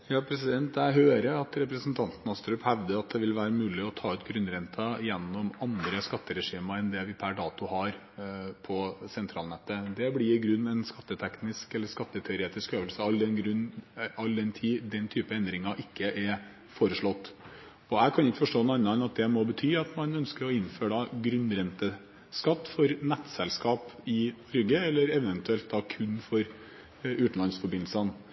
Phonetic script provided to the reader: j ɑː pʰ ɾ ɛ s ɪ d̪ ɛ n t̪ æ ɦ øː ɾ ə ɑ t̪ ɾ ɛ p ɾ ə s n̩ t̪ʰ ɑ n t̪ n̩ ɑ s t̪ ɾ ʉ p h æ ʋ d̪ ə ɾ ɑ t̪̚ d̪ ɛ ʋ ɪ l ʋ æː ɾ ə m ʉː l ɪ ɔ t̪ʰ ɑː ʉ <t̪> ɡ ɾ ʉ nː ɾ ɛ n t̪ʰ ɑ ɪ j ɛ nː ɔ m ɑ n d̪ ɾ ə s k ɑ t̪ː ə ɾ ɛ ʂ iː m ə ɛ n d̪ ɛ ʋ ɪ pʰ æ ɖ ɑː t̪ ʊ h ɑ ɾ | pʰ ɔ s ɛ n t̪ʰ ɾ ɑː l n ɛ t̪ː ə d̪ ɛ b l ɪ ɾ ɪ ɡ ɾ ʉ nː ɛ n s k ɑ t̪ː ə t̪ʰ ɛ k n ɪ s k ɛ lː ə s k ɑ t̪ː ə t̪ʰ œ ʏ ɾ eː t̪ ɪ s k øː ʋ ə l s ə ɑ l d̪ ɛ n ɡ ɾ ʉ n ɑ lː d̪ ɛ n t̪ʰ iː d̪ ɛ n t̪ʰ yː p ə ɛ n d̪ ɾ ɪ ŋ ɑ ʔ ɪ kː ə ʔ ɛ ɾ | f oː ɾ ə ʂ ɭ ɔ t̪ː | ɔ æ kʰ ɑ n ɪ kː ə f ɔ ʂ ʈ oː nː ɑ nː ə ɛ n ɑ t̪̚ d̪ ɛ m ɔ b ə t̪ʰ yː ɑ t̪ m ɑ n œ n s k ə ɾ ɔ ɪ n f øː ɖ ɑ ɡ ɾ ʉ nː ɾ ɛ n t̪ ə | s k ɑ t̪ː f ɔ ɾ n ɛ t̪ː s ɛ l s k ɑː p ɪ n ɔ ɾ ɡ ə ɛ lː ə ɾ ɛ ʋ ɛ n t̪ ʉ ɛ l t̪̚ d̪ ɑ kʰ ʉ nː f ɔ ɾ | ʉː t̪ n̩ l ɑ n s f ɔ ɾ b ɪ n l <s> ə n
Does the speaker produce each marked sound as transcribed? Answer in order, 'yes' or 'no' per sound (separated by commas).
yes, yes